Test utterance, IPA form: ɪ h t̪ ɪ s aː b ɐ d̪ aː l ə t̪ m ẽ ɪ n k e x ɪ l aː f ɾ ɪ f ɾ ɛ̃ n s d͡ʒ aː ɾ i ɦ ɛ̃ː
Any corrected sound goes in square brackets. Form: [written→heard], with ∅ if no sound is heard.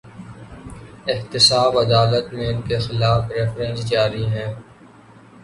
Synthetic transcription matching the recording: ɪ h t̪ ɪ s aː b ɐ d̪ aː l ə t̪ m ẽ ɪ n k e x ɪ l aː f ɾ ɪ f ɾ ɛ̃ n s d͡ʒ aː ɾ i ɦ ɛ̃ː

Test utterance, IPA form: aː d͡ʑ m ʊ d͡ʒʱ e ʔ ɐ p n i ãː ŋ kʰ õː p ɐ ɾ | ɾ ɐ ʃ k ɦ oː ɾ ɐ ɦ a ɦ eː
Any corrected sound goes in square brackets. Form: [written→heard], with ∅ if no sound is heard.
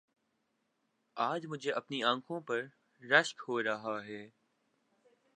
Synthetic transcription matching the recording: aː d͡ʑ m ʊ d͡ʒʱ e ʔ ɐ p n i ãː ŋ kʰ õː p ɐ ɾ | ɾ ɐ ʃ k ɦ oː ɾ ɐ ɦ a ɦ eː

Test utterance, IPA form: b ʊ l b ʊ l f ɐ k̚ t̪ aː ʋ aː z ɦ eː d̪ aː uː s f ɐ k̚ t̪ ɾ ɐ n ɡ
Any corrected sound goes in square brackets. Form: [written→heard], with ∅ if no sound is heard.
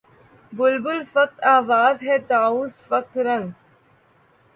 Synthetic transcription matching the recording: b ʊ l b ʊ l f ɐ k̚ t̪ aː ʋ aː z ɦ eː [d̪→t̪] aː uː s f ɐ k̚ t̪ ɾ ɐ [n→ŋ] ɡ

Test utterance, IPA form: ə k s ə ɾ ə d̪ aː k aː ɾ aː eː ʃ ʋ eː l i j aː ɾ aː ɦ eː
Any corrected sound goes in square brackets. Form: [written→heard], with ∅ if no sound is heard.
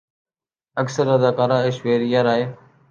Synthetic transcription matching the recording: ə k s ə ɾ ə d̪ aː k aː ɾ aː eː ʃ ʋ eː [l→ɾ] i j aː ɾ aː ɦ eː

